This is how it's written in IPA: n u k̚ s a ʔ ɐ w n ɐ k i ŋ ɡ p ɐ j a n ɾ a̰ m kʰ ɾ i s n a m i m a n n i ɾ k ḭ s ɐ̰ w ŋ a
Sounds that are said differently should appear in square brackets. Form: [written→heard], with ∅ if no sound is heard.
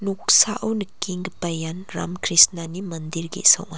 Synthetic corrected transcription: n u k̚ s a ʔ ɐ w n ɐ k i ŋ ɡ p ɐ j a n ɾ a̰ m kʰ ɾ i s n a [m→n] i m [a→ɐ] n [n→d] i ɾ [k→ɡ] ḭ s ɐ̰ w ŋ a